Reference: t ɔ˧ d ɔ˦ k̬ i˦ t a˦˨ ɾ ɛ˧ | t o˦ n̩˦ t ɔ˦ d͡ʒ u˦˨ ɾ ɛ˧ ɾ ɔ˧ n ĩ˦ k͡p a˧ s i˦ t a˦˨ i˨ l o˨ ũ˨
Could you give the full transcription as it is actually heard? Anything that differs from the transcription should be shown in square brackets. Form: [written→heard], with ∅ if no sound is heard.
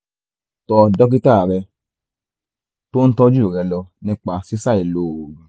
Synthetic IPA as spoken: t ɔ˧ d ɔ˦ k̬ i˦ t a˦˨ ɾ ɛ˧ | t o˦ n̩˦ t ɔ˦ d͡ʒ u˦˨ ɾ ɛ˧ [ɾ→l] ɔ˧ n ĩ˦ k͡p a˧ s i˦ [t→s] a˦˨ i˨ l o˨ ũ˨